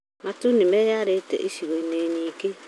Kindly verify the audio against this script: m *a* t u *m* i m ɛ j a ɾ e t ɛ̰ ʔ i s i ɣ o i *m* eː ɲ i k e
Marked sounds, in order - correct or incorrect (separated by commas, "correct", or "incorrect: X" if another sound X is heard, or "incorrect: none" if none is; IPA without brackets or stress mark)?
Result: correct, incorrect: n, incorrect: n